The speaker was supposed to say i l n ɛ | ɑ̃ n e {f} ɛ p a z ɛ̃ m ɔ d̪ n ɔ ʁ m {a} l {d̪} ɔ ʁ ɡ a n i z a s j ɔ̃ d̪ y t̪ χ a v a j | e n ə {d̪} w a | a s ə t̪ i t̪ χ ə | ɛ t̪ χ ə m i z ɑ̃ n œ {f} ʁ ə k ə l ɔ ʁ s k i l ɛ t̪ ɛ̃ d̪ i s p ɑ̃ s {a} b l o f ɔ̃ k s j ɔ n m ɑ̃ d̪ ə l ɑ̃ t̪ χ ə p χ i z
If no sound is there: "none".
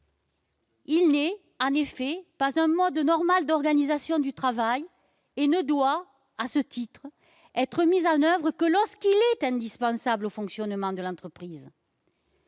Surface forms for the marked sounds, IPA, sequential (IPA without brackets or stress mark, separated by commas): f, a, d̪, d̪, v, a